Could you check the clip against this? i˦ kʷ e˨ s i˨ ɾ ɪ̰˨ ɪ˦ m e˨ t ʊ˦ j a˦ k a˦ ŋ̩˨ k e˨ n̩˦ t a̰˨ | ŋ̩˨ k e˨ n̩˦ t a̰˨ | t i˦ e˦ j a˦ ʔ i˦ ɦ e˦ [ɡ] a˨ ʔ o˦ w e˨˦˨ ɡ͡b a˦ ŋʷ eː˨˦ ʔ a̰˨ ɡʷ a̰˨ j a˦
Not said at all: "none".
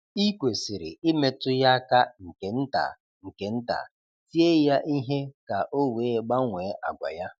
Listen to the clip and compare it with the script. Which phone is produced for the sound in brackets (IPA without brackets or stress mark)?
k